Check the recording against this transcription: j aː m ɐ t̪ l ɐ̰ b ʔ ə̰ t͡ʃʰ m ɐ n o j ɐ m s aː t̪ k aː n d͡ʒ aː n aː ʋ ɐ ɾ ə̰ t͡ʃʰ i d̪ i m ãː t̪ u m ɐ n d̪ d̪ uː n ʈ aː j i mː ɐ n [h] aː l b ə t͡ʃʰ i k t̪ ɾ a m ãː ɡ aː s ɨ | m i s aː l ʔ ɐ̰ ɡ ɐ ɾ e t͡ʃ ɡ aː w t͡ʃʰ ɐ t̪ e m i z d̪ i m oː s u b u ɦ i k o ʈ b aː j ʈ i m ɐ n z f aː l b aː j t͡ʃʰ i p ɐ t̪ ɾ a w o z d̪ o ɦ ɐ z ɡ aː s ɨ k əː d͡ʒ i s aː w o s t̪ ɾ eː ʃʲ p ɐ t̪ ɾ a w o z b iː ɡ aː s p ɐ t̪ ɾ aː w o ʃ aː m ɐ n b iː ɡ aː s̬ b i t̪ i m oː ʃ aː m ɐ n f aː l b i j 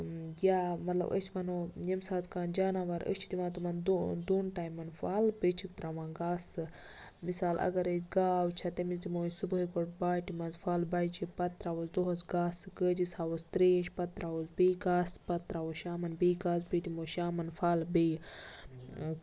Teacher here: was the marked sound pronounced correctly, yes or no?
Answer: no